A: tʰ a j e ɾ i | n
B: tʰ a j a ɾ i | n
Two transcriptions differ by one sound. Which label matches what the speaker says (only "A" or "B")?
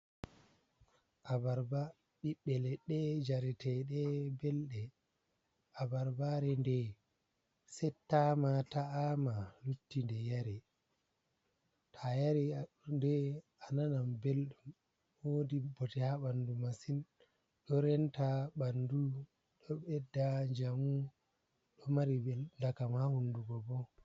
B